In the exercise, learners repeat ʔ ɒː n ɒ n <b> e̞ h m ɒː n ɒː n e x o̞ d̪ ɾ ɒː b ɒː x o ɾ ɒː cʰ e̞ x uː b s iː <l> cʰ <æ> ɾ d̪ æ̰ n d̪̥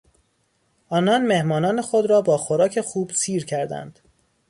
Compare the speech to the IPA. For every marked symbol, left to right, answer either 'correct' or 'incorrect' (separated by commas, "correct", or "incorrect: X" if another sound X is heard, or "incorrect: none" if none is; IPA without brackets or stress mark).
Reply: incorrect: m, incorrect: ɾ, correct